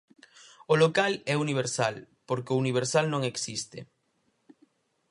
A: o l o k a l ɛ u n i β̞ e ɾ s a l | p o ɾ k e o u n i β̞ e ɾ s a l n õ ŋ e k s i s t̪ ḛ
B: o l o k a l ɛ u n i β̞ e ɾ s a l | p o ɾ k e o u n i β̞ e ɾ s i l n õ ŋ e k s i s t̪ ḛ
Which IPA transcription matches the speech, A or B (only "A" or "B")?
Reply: A